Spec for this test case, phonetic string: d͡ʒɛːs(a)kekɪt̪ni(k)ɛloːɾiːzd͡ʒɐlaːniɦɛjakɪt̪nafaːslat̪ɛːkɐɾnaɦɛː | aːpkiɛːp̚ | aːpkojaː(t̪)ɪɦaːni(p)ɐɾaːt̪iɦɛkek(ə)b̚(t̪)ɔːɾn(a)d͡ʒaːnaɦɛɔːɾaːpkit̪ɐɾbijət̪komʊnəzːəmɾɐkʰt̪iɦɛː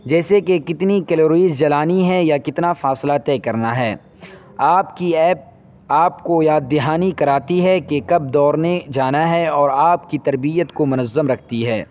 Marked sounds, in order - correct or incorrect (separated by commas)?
incorrect, correct, incorrect, incorrect, incorrect, incorrect, incorrect